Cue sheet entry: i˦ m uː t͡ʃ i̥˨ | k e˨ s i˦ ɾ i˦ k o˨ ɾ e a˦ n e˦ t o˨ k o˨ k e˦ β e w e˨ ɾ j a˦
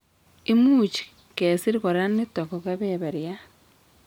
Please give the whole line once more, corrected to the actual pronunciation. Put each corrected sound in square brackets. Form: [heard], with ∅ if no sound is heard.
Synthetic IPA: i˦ m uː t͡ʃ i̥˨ | k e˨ s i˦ ɾ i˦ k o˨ ɾ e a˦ n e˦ t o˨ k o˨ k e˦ β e [β] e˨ ɾ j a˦